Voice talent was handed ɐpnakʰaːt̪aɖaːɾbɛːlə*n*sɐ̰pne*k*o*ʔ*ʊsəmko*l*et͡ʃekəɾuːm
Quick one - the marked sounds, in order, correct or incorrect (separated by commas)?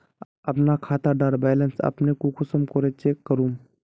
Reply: correct, correct, incorrect, incorrect